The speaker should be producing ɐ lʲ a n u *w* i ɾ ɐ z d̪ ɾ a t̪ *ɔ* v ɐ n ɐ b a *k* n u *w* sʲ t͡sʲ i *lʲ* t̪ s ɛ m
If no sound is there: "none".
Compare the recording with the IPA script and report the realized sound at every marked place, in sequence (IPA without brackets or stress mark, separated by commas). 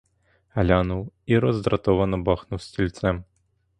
w, ɔ, x, w, lʲ